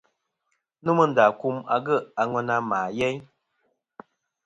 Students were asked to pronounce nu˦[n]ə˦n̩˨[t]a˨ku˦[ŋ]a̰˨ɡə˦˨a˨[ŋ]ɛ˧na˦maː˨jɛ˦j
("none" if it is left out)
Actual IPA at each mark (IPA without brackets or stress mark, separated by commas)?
m, d, m, ŋ